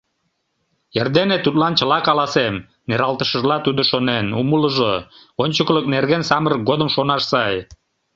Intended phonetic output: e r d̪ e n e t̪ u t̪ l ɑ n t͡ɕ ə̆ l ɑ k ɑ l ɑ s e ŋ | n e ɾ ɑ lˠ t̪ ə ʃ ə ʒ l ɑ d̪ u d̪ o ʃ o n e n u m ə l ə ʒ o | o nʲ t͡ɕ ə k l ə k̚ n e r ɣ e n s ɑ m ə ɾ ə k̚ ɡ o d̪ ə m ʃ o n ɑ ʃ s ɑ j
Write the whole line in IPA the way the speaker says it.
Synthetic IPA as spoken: e r d̪ e n e t̪ u t̪ l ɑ n t͡ɕ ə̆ l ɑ k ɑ l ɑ s e m | n e ɾ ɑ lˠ t̪ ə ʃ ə ʒ l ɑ t̪ u d̪ o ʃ o n e n u m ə l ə ʒ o | o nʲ t͡ɕ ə k l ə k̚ n e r ɣ e n s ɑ m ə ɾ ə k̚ ɡ o d̪ ə m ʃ o n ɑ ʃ s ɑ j